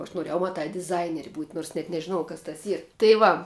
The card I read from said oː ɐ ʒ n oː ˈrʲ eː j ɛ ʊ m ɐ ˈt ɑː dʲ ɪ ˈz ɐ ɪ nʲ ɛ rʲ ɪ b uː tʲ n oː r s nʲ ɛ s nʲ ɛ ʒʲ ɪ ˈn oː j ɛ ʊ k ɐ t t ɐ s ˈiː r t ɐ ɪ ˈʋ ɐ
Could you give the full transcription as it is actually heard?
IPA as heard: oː ɐ ʃ n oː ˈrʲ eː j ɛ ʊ m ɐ ˈt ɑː dʲ ɪ ˈz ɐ ɪ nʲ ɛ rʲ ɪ b uː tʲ n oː r s nʲ ɛ t nʲ ɛ ʒʲ ɪ ˈn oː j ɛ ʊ k ɐ s t ɐ s ˈiː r t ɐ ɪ ˈʋ ɐ